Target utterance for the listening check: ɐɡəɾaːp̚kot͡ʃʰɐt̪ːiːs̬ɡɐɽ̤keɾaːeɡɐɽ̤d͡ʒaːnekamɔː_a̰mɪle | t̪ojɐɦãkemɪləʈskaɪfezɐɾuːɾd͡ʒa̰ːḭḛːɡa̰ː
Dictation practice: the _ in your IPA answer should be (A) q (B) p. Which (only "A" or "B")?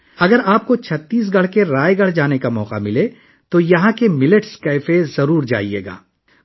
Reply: A